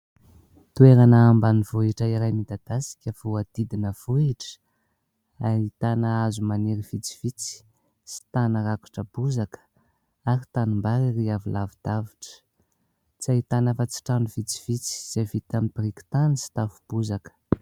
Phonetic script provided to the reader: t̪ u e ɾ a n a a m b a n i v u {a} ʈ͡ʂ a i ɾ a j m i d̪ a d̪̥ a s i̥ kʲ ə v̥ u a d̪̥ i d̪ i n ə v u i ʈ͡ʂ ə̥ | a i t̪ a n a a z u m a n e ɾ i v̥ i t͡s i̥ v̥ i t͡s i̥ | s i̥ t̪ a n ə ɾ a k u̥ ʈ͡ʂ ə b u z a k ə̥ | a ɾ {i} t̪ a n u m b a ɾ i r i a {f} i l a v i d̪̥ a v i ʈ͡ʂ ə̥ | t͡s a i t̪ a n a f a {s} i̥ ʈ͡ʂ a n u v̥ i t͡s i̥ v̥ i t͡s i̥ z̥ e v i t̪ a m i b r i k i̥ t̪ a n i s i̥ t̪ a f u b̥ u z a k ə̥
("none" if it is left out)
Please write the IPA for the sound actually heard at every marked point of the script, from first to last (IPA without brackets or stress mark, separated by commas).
i, i, v, t͡s